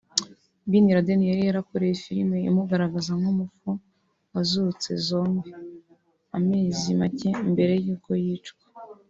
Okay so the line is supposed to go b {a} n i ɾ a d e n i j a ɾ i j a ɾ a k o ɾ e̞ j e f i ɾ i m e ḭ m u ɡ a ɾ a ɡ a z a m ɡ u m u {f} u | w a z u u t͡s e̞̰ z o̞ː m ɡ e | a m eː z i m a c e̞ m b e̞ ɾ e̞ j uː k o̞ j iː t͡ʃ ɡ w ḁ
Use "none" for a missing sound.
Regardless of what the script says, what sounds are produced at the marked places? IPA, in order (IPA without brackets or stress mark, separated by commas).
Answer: i, f